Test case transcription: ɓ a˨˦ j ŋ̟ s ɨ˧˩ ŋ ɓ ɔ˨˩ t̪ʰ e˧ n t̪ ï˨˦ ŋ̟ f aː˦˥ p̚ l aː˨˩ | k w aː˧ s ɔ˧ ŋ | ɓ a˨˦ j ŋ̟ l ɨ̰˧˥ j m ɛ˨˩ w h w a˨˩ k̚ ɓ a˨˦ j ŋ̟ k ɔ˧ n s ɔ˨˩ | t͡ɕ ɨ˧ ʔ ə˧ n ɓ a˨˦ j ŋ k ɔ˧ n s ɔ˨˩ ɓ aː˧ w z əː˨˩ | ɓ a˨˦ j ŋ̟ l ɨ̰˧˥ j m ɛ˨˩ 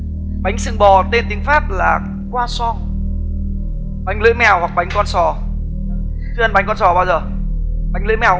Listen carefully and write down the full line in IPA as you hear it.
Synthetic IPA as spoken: ɓ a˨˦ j ŋ̟ s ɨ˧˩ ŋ ɓ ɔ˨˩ t̪ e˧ n t̪ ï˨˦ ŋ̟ f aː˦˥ p̚ l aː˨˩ | k w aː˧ s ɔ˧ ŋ | ɓ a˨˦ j ŋ̟ l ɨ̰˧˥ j m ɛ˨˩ w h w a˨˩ k̚ ɓ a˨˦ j ŋ̟ k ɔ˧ n s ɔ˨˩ | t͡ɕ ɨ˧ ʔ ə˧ n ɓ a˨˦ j ŋ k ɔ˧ n s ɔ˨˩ ɓ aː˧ w z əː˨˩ | ɓ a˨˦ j ŋ̟ l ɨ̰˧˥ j m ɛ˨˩

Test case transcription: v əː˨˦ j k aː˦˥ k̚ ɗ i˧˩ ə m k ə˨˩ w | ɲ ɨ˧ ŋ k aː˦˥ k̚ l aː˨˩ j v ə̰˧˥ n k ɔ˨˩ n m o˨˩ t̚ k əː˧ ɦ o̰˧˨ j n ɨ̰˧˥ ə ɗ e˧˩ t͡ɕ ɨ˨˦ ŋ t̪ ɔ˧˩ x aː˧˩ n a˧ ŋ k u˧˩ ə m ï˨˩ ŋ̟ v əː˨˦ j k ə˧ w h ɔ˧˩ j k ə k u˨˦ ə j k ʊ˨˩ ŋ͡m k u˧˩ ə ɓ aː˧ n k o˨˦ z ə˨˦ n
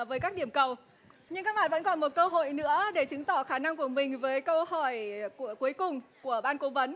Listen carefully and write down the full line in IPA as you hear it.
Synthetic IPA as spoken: v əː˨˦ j k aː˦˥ k̚ ɗ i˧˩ ə m k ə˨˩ w | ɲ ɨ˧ ŋ k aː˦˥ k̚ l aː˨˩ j v ə̰˧˥ n k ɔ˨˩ n m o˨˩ t̚ k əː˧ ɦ o̰˧˨ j n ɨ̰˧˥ ə ɗ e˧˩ t͡ɕ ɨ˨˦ ŋ t̪ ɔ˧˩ x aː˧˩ n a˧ ŋ k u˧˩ ə m ï˨˩ ŋ̟ v əː˨˦ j k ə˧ w h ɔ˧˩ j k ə k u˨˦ ə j k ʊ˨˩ ŋ͡m k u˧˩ ə ɓ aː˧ n k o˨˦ v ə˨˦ n

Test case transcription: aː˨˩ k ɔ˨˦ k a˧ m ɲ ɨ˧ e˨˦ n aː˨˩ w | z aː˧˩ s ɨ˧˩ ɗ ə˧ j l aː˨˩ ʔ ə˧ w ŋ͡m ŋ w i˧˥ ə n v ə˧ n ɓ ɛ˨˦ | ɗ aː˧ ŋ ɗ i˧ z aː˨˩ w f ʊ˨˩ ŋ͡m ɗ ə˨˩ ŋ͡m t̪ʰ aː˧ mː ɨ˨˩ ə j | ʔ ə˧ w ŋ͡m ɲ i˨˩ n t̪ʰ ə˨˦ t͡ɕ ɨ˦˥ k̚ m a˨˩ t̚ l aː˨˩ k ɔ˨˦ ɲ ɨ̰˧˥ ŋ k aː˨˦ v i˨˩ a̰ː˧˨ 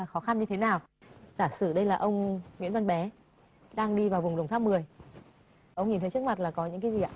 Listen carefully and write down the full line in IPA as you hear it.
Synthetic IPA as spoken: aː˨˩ x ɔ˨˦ x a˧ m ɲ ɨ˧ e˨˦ n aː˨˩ w | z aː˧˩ s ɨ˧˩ ɗ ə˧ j l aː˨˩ ʔ ə˧ w ŋ͡m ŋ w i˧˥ ə n v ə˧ n ɓ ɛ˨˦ | ɗ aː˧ ŋ ɗ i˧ v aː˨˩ w v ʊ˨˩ ŋ͡m ɗ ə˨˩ ŋ͡m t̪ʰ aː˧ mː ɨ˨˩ ə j | ʔ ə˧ w ŋ͡m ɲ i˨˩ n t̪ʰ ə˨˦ t͡ɕ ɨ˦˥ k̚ m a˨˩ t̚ l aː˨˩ k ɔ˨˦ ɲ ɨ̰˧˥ ŋ k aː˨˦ z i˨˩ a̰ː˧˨

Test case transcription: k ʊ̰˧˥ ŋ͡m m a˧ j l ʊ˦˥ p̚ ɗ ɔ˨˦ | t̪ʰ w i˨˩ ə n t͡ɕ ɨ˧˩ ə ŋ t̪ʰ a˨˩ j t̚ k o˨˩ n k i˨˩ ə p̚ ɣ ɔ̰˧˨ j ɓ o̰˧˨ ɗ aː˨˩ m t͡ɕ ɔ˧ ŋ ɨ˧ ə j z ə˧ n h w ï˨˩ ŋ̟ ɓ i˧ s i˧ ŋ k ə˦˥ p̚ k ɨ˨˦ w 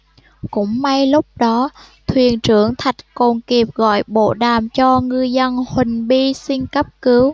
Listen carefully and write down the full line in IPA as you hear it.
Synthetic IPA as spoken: k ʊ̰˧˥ ŋ͡m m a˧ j l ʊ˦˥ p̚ ɗ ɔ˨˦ | t̪ʰ w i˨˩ ə n t͡ɕ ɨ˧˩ ə ŋ t̪ʰ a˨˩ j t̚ k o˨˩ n k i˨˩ ə p̚ ɣ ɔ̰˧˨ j ɓ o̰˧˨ ɗ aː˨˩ m t͡ɕ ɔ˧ ŋ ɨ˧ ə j z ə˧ n h w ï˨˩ ŋ̟ ɓ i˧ s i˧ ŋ k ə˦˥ p̚ k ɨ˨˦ w

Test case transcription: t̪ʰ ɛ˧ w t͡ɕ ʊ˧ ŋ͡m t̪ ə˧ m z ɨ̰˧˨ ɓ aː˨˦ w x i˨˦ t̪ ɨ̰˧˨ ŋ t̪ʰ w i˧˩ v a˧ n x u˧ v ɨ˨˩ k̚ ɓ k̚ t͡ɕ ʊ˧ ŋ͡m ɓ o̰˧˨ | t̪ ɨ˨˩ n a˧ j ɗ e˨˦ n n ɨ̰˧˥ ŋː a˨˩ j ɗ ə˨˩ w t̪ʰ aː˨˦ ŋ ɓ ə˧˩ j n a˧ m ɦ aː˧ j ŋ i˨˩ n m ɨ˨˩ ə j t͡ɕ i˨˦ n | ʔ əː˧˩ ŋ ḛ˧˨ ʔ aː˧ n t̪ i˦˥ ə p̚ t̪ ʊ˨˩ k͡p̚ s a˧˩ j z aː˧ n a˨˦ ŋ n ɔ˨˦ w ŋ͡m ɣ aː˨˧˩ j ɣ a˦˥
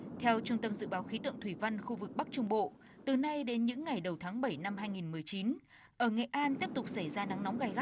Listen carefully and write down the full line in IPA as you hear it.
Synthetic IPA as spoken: t̪ʰ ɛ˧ w t͡ɕ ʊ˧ ŋ͡m t̪ ə˧ m z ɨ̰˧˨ ɓ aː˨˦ w x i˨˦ t̪ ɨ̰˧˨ ŋ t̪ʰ w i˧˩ v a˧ n x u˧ v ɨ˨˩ k̚ ɓ k̚ t͡ɕ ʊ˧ ŋ͡m ɓ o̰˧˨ | t̪ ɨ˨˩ n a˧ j ɗ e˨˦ n ɲ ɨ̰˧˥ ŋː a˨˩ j ɗ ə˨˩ w t̪ʰ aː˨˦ ŋ ɓ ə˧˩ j n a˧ m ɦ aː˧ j ŋ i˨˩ n m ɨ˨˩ ə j t͡ɕ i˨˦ n | ʔ əː˧˩ ŋ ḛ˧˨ ʔ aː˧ n t̪ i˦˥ ə p̚ t̪ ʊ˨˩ k͡p̚ s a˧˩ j z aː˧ n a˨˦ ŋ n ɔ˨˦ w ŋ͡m ɣ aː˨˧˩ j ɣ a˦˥

